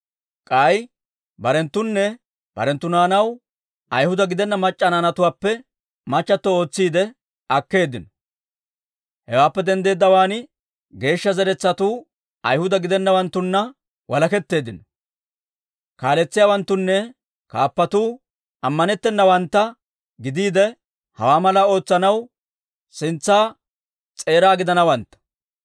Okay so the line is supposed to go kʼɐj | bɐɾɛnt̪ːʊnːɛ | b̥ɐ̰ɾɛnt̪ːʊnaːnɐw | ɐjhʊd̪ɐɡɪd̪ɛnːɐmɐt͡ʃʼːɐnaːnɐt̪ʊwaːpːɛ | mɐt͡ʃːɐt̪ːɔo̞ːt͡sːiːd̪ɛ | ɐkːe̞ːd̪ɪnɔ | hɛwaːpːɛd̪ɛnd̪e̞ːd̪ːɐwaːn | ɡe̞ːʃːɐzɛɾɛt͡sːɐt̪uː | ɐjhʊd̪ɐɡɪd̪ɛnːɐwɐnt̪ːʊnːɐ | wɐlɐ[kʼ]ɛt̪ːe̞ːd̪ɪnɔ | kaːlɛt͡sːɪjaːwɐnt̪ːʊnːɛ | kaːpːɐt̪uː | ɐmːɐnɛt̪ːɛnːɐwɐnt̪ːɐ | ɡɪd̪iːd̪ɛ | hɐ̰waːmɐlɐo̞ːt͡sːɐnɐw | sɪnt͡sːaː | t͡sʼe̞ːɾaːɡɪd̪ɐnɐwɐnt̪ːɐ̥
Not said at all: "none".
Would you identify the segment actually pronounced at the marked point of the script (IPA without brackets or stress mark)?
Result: k